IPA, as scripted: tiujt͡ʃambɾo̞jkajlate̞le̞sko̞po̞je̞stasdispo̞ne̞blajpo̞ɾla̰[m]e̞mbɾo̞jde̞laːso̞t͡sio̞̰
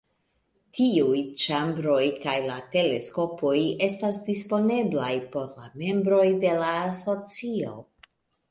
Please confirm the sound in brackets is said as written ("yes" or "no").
yes